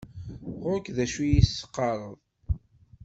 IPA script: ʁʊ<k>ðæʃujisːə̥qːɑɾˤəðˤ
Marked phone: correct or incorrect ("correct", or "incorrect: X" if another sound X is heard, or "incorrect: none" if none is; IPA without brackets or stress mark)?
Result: correct